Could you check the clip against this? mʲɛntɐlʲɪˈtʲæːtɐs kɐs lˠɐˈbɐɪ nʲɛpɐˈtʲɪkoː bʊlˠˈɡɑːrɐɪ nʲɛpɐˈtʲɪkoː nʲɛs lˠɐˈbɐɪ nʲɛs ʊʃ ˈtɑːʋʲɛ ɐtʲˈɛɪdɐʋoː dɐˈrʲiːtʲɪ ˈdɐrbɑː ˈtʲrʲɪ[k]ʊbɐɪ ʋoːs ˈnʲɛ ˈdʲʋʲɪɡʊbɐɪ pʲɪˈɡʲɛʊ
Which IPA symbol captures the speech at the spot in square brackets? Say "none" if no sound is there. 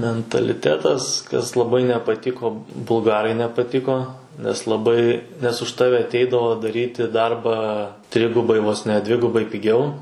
ɡ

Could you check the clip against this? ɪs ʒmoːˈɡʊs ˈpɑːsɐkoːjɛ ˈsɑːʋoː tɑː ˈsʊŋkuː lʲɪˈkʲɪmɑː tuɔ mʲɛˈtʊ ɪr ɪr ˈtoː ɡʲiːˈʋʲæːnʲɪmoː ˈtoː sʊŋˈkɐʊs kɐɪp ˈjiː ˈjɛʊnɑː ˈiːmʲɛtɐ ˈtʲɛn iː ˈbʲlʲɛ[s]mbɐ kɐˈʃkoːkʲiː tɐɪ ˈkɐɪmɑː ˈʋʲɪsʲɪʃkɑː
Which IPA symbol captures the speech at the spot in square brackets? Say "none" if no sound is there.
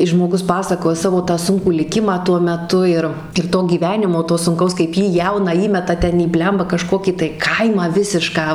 none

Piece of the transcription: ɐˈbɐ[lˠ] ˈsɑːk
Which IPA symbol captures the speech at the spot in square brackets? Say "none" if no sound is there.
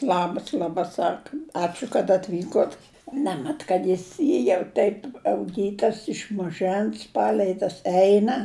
none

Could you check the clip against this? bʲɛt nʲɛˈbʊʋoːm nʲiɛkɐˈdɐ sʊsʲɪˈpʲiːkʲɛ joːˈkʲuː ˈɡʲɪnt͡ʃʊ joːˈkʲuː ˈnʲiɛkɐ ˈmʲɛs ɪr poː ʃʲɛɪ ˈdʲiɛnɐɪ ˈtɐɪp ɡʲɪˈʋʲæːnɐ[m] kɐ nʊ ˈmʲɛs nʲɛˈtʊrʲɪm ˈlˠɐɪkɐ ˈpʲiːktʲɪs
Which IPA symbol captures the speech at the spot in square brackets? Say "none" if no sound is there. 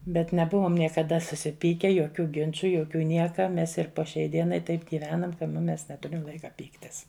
m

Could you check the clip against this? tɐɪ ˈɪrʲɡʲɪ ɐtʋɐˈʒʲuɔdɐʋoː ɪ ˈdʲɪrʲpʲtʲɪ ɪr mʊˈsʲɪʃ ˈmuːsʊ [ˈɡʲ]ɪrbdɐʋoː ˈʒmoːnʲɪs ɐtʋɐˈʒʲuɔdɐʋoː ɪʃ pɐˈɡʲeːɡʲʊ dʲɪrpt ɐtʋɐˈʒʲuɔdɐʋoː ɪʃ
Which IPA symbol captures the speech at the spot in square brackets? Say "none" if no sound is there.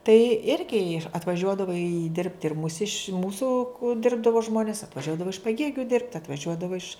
dʲ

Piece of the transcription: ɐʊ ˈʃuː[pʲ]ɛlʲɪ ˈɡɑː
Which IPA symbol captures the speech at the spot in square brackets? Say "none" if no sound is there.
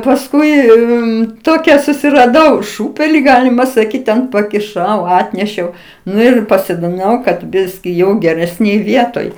pʲ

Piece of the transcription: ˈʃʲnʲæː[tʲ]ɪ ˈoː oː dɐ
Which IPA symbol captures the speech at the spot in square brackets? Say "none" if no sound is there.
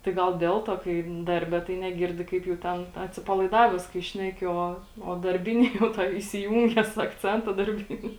kʲ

